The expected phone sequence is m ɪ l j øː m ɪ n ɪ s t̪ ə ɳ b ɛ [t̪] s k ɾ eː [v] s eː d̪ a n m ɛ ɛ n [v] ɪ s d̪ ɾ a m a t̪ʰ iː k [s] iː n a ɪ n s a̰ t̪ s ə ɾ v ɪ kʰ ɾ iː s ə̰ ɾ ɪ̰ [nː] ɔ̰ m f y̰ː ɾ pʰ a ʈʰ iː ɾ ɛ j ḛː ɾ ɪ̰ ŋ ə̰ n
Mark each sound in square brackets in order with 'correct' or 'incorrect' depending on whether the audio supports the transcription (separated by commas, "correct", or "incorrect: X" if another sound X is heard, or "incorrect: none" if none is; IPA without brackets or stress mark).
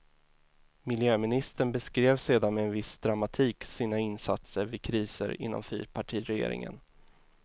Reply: incorrect: none, correct, correct, correct, correct